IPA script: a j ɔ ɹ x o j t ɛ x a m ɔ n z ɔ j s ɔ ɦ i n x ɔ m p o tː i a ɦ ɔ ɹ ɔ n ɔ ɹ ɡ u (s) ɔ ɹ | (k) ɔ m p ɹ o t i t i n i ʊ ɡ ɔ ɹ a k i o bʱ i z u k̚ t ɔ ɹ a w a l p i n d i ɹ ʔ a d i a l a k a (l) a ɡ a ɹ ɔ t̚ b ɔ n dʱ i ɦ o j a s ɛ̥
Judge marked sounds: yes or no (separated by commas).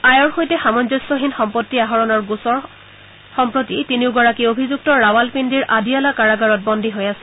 yes, no, no